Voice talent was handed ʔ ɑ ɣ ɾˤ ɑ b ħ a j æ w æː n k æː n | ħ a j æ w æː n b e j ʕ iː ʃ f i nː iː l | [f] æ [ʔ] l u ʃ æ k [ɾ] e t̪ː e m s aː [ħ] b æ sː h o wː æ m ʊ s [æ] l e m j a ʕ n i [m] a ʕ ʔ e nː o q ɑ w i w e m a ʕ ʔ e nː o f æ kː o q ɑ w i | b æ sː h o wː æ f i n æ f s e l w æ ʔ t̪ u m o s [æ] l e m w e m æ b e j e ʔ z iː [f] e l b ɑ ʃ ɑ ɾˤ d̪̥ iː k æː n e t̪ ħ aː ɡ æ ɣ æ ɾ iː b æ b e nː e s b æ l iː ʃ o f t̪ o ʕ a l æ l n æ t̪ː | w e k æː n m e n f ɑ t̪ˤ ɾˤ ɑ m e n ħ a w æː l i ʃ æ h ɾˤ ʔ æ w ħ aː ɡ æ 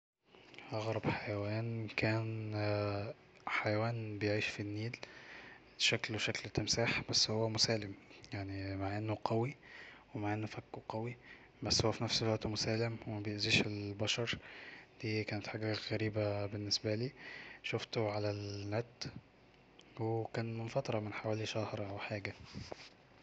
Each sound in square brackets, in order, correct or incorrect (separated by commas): incorrect, incorrect, incorrect, correct, incorrect, correct, incorrect, incorrect